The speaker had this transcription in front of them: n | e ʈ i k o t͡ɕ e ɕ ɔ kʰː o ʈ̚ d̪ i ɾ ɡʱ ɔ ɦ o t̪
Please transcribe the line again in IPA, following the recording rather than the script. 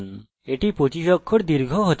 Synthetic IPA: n | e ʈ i p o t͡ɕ i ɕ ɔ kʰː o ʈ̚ d̪ i ɾ ɡʱ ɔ ɦ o t̪

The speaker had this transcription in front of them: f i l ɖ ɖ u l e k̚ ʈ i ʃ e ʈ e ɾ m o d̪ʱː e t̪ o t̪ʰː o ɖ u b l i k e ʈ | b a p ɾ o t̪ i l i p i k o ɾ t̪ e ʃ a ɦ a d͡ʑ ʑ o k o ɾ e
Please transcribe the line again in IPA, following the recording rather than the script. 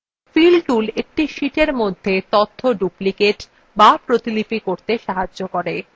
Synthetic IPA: f i l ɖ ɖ u l e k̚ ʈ i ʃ i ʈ e ɾ m o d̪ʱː e t̪ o t̪ʰː o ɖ u p l i k e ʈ | b a p ɾ o t̪ i l i p i k o ɾ t̪ e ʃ a ɦ a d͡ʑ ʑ o k o ɾ e

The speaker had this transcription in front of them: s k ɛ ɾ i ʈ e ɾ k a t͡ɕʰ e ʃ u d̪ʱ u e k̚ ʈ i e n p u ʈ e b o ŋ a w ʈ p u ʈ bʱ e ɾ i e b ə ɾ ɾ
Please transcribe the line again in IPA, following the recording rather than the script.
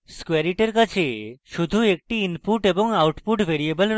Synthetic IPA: s k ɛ ɾ i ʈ e ɾ k a t͡ɕʰ e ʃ u d̪ʱ u e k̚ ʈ i i n p u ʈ e b o ŋ a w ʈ p u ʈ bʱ e ɾ i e b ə l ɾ

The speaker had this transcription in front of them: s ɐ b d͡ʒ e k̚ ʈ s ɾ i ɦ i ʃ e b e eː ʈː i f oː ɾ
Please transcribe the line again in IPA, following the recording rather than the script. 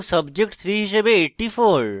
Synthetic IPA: s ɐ b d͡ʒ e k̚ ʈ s ɾ i ɦ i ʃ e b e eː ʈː i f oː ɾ

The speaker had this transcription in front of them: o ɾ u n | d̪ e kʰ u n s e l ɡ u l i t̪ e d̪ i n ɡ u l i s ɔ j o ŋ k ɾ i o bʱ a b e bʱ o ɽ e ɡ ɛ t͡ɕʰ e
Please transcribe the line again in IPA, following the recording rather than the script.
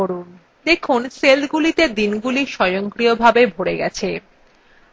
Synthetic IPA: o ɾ u n | d̪ e kʰ u n s e l ɡ u l i t̪ e d̪ i n ɡ u l i ʃ ɔ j o ŋ k ɾ i o bʱ a b e bʱ o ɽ e ɡ ɛ t͡ɕʰ e

